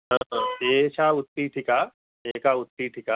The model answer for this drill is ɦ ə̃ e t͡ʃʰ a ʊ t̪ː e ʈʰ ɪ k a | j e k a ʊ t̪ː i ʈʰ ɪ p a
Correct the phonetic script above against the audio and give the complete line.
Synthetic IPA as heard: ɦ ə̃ e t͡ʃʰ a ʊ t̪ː i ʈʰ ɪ k a | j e k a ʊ t̪ː i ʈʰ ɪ k a